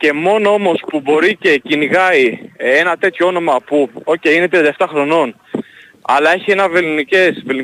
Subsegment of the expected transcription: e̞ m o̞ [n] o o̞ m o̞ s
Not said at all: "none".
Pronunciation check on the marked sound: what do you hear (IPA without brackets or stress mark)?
n